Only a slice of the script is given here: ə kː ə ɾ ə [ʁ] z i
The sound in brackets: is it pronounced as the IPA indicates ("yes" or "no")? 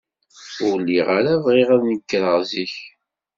yes